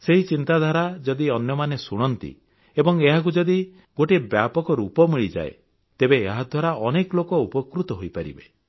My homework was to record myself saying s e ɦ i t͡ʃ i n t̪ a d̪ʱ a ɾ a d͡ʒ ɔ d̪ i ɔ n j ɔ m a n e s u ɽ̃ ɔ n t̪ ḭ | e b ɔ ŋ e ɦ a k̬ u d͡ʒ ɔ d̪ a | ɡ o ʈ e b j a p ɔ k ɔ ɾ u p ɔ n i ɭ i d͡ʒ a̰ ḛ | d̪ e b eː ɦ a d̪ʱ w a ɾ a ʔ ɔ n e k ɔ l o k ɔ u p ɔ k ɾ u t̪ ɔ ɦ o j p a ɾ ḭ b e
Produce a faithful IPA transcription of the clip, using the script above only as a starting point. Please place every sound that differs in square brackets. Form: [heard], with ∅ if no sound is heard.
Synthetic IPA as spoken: s e ɦ i t͡ʃ i n t̪ a d̪ʱ a ɾ a d͡ʒ ɔ d̪ i ɔ n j ɔ m a n e s u ɽ̃ ɔ n t̪ ḭ | e b ɔ ŋ e ɦ a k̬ u d͡ʒ ɔ d̪ [i] | ɡ o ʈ e b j a p ɔ k ɔ ɾ u p ɔ [m] i ɭ i d͡ʒ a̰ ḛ | [t̪] e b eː ɦ a d̪ʱ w a ɾ a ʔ ɔ n e k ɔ l o k ɔ u p ɔ k ɾ u t̪ ɔ ɦ o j p a ɾ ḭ b e